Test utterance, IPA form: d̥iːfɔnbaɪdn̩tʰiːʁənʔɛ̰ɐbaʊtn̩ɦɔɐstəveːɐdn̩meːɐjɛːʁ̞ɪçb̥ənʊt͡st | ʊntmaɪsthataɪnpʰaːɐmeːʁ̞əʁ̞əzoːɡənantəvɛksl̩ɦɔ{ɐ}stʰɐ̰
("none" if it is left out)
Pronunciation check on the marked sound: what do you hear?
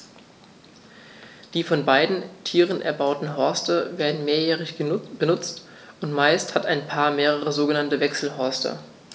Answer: ɐ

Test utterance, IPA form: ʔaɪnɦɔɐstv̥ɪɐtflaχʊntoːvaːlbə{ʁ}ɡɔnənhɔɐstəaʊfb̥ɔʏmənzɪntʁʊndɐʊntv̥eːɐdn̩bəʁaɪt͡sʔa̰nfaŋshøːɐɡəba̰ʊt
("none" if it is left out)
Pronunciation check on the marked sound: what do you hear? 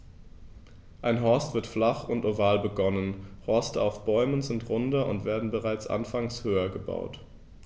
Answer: none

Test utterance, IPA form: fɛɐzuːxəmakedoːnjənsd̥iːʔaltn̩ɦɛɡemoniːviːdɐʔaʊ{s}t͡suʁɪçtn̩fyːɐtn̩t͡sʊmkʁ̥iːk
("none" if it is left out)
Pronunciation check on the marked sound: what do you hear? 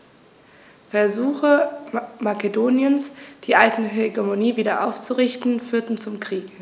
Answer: f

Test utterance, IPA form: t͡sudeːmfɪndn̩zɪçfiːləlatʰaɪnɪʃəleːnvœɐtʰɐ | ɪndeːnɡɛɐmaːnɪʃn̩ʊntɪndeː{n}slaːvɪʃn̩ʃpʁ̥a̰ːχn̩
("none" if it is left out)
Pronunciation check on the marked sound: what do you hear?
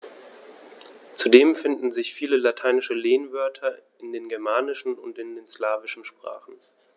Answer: n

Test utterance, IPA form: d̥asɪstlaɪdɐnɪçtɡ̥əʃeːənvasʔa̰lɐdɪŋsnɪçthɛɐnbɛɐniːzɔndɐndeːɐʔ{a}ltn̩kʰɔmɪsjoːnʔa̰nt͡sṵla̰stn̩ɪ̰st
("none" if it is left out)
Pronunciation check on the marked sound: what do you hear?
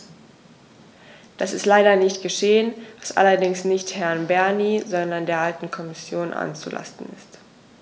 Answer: a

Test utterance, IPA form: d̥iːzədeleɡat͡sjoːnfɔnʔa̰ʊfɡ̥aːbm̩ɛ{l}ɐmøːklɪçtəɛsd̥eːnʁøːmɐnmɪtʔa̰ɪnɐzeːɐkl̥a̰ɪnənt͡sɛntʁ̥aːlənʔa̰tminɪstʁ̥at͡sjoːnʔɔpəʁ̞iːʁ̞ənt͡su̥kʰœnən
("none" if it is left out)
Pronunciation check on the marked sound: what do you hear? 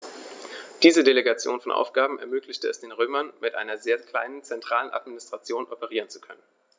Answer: none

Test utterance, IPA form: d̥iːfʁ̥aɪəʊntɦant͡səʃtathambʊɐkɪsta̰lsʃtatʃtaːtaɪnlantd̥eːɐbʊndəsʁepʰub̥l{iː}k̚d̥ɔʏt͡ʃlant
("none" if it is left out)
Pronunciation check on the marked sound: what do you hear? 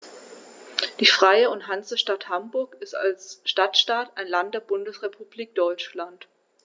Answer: iː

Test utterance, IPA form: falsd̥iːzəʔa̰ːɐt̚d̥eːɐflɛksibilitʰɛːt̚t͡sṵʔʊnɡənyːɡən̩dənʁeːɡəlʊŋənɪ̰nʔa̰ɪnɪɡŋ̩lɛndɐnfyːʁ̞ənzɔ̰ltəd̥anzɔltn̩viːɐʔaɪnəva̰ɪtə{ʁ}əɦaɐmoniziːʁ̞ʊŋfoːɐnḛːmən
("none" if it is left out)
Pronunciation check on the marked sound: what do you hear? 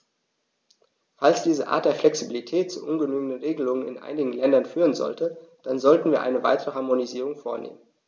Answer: ʁ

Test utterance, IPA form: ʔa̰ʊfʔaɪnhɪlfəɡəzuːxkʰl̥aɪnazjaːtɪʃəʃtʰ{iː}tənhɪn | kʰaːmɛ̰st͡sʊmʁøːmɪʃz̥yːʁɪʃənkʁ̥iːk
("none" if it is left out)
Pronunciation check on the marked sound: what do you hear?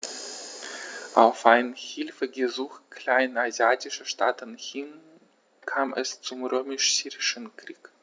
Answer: aː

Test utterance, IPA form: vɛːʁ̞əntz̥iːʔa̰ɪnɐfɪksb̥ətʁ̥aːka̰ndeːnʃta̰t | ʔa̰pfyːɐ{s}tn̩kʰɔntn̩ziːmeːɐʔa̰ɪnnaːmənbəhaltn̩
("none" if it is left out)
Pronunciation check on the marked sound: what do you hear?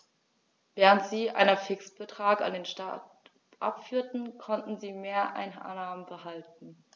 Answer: none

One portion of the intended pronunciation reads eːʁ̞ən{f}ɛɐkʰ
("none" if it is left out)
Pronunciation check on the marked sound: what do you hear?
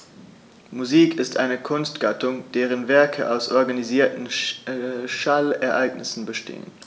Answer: v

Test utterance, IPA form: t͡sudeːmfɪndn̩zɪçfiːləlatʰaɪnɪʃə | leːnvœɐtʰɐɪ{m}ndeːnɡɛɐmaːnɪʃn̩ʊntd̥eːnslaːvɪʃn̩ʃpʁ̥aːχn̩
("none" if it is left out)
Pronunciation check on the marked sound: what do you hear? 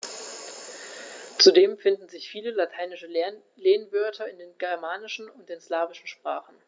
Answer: none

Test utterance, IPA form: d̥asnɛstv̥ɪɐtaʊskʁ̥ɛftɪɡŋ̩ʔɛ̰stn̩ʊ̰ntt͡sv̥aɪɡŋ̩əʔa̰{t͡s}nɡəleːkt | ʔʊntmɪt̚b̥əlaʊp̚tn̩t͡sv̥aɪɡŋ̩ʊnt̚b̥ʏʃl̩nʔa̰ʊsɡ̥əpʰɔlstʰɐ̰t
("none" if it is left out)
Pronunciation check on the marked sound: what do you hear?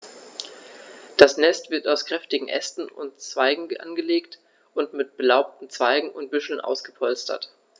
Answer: none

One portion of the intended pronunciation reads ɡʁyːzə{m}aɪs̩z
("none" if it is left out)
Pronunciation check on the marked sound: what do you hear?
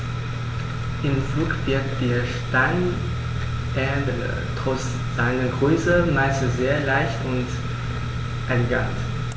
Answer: m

